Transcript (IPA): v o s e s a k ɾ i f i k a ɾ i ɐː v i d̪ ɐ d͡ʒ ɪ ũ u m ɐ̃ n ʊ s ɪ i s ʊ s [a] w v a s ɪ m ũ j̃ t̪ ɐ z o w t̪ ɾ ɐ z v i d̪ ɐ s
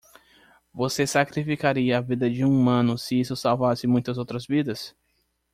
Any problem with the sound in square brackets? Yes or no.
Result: no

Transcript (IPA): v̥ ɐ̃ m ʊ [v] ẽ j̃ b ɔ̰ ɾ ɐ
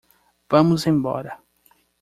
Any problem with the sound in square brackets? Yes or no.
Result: yes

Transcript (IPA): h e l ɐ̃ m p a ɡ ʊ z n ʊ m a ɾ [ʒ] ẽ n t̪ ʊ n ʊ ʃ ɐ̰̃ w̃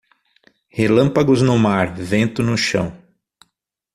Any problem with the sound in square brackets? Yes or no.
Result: yes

